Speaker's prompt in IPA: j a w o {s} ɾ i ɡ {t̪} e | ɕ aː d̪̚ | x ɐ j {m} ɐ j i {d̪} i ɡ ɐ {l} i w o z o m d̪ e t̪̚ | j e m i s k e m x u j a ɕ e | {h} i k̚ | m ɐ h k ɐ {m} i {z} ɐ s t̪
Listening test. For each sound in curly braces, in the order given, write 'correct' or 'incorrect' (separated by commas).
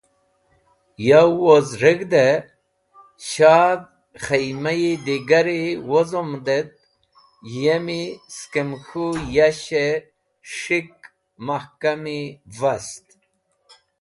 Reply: incorrect, incorrect, correct, correct, incorrect, incorrect, correct, incorrect